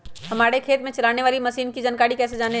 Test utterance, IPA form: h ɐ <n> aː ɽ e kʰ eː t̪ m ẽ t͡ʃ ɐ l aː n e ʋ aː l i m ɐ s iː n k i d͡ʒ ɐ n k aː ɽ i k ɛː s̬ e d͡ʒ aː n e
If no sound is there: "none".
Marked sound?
m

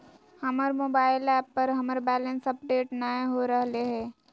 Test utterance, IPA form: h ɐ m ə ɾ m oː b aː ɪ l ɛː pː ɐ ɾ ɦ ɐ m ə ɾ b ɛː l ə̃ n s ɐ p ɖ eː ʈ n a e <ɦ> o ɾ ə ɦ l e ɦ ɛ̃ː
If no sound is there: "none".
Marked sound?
ɦ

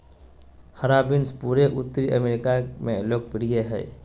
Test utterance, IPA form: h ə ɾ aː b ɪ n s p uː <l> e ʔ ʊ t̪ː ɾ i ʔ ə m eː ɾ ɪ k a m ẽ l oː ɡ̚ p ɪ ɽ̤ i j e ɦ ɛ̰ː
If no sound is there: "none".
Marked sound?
ɾ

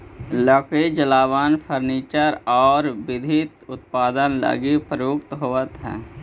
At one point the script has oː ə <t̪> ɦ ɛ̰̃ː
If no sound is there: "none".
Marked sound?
t̪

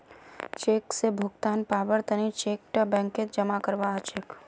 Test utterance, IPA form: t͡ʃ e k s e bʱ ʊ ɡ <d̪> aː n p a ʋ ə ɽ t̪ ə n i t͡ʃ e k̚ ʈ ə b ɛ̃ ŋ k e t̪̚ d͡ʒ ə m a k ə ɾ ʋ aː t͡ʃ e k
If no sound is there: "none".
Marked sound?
t̪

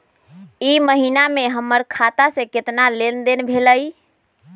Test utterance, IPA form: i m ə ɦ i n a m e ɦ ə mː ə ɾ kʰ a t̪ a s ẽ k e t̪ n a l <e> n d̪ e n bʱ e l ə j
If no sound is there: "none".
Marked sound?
e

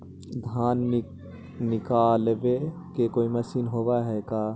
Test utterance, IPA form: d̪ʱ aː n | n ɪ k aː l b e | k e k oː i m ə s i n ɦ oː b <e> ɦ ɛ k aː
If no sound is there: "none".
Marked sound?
a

